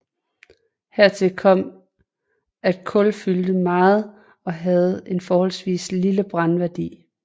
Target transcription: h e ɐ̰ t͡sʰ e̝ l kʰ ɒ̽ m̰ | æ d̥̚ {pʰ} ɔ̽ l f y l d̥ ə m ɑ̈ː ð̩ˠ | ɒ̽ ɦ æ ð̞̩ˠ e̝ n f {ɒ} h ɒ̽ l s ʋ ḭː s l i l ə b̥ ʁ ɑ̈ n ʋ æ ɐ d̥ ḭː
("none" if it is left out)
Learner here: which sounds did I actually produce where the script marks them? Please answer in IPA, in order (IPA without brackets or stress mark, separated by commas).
kʰ, ɒː